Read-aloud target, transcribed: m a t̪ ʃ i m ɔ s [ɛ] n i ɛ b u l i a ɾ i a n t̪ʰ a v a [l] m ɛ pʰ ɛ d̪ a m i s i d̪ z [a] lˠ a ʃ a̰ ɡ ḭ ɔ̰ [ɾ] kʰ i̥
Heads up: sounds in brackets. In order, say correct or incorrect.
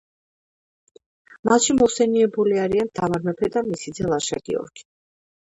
correct, incorrect, incorrect, correct

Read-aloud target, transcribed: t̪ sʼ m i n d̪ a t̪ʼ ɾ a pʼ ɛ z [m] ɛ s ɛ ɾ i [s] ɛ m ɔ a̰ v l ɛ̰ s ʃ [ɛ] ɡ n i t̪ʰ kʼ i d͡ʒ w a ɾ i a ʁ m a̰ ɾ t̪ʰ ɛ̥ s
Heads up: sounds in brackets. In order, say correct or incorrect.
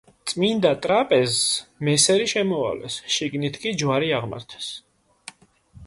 correct, incorrect, incorrect

